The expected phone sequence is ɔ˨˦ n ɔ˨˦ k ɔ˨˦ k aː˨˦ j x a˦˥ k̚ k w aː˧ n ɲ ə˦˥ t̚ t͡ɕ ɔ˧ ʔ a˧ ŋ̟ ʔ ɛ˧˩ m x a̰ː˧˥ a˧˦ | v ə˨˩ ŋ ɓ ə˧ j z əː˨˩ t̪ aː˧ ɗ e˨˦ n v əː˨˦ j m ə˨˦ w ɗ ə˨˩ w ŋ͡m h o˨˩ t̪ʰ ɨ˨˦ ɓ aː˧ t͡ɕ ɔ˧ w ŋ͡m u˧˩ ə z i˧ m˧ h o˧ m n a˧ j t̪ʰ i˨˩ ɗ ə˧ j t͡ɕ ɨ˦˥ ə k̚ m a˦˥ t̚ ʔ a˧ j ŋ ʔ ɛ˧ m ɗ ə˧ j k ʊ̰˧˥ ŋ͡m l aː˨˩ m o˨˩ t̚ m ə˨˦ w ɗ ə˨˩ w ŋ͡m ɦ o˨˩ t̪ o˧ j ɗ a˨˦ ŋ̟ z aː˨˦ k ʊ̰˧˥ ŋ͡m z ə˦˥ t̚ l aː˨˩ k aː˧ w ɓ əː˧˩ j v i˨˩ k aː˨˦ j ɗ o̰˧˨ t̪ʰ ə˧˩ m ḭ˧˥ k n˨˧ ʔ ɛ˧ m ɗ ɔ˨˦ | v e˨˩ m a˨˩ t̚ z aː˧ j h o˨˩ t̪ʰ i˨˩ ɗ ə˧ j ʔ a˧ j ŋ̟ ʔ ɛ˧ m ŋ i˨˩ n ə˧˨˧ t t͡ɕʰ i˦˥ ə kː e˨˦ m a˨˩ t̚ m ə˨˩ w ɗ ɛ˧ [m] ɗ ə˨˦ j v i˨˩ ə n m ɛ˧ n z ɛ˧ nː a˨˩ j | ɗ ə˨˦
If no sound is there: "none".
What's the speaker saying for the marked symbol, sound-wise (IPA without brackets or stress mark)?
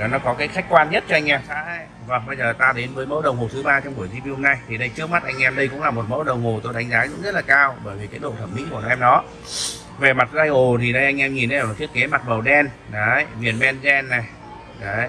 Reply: n